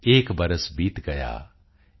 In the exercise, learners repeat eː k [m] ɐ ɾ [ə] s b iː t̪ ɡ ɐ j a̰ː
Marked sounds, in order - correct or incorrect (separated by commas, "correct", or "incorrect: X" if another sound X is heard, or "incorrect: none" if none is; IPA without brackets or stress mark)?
incorrect: b, correct